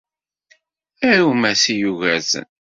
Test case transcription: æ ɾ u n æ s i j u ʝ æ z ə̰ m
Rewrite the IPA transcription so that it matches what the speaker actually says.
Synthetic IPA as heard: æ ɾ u m æ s i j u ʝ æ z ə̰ n

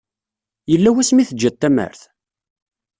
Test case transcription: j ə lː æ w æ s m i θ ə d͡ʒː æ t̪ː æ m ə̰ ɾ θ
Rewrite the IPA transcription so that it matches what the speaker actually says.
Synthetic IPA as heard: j ə lː æ w æ s m i θ ə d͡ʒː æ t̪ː æ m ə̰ ɾ θ

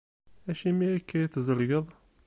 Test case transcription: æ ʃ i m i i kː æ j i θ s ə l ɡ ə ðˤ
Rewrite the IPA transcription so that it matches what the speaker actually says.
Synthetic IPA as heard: æ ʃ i m i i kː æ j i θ z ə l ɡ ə ðˤ

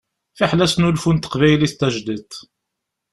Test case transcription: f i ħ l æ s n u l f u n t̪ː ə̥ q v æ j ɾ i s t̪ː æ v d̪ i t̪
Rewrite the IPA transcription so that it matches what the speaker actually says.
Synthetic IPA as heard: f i ħ l æ s n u l f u n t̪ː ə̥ q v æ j l i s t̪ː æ ʒ d̪ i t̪

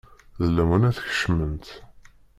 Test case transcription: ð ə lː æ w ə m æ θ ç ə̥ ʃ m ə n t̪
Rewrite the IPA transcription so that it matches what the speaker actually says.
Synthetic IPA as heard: ð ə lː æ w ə n æ θ ç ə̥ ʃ m ə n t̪

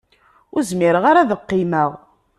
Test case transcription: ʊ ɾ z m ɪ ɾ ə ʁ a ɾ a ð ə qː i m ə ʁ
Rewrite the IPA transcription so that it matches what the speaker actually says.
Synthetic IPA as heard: ʊ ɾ z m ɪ ɾ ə ʁ a ɾ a ð ə qː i m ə ʁ

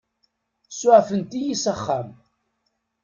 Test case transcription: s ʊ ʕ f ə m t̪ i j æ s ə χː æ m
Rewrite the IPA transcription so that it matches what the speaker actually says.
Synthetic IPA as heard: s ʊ ʕ f ə n t̪ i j i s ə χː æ m

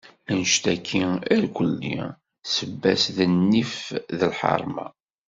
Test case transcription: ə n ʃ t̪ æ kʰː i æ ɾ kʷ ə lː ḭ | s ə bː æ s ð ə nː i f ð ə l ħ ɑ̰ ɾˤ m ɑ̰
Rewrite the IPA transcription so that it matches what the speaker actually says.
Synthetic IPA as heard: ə n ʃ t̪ æ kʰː i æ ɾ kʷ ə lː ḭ | s ə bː æ s ð ə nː i f ð ə l ħ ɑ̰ ɾˤ m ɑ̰

